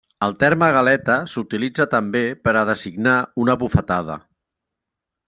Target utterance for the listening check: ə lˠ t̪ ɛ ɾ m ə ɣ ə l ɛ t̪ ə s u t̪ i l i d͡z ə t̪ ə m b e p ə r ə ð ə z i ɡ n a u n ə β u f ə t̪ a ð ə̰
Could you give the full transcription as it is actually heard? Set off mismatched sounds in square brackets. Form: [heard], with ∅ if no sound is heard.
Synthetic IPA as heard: ə lˠ t̪ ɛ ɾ m ə ɣ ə l ɛ t̪ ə s u t̪ i l i d͡z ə t̪ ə m b e p ə [ɾ] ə ð ə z i ɡ n a u n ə β u f ə t̪ a ð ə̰